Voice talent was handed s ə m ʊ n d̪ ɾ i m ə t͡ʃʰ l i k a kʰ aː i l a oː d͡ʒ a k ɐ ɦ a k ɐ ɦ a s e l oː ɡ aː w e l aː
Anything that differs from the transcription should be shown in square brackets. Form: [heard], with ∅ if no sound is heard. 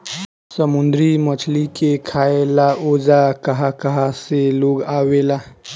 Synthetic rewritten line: s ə m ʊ n d̪ ɾ i m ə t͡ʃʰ l i k [e] kʰ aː [e] l a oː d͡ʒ a k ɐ ɦ a k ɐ ɦ a s e l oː ɡ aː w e l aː